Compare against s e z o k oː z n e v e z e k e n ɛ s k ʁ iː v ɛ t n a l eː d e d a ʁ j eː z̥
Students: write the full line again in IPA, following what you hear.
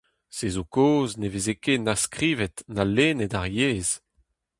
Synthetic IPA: s e z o k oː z n e v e z e k e n a s k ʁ iː v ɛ t n a l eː n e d a ʁ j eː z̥